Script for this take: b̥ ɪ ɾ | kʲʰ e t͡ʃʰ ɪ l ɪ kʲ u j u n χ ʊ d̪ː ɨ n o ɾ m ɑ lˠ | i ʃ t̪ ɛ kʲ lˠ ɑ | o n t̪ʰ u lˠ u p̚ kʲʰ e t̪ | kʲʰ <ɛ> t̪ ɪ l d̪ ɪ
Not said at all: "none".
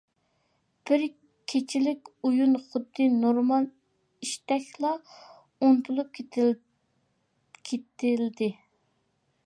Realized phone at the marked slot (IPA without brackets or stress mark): e